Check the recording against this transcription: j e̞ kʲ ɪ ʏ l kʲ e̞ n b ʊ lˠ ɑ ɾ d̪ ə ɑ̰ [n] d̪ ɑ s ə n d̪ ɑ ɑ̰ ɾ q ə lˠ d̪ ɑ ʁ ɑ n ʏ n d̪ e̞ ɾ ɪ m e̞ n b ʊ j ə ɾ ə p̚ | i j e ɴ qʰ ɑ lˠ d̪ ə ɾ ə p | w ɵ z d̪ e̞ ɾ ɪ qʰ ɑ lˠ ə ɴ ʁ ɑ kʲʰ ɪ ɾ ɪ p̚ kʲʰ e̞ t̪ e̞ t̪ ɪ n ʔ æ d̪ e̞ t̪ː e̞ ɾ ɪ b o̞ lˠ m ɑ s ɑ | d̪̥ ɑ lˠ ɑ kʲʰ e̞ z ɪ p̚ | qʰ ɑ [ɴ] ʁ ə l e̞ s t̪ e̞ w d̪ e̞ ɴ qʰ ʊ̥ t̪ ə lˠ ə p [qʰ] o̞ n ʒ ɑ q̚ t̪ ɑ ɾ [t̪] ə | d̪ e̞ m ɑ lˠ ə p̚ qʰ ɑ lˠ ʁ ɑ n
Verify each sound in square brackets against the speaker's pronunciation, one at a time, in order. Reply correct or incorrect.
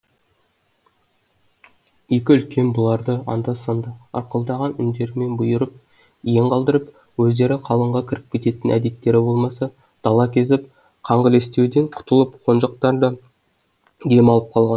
correct, correct, correct, incorrect: d̪

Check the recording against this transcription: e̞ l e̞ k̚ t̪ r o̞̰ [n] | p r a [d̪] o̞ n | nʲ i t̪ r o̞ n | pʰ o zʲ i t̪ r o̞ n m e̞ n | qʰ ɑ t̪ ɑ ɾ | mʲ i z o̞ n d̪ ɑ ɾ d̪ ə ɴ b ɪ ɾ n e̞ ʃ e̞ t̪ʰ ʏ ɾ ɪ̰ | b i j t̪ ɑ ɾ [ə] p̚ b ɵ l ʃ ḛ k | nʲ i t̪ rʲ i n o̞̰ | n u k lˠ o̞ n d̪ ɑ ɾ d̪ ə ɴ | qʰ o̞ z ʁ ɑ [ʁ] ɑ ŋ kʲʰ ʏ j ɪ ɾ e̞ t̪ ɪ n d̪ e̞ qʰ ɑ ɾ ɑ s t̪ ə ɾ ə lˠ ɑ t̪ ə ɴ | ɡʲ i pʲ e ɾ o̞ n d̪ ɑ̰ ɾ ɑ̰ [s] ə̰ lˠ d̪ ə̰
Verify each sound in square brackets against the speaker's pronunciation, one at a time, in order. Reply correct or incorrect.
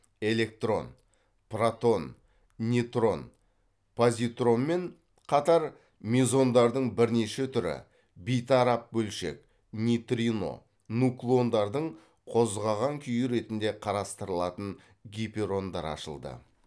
correct, incorrect: t̪, incorrect: ɑ, correct, incorrect: ʃ

